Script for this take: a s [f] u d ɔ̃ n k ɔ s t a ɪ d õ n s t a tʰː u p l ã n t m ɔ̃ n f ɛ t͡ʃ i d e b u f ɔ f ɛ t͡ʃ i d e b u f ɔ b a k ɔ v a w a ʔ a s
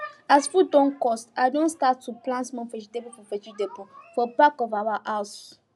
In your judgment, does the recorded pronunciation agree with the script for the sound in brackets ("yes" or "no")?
yes